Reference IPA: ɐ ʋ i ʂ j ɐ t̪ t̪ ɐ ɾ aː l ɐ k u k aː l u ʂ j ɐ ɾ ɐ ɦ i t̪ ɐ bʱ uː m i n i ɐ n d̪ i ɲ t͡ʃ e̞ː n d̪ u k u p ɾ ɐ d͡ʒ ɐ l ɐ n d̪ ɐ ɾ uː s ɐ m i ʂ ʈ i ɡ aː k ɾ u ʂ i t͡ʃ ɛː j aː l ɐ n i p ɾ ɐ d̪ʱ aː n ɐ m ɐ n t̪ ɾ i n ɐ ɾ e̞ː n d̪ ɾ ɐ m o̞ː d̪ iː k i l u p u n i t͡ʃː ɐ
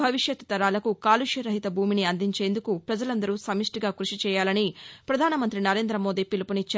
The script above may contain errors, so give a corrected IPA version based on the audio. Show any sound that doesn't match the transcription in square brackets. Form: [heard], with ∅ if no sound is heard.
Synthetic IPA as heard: ɐ ʋ i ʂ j ɐ t̪ t̪ ɐ ɾ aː l ɐ k u k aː l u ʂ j ɐ ɾ ɐ ɦ i t̪ ɐ bʱ uː m i n i ɐ n d̪ i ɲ t͡ʃ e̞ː n d̪ u k u p ɾ ɐ d͡ʒ ɐ l ɐ n d̪ ɐ ɾ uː s ɐ m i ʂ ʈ i ɡ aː k ɾ u ʂ i t͡ʃ ɛː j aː l ɐ n i p ɾ ɐ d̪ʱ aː n ɐ m ɐ n t̪ ɾ i n ɐ ɾ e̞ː n d̪ ɾ ɐ m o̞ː d̪ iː [p] i l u p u n i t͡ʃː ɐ